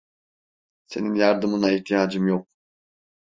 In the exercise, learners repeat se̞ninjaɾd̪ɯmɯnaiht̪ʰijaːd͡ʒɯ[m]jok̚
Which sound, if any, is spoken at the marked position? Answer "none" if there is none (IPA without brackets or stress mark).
m